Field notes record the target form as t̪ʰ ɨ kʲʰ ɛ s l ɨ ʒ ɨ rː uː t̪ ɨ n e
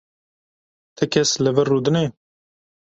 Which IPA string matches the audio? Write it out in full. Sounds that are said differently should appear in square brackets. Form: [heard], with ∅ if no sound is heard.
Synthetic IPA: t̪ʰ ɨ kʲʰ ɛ s l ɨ [v] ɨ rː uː [d̪] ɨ n e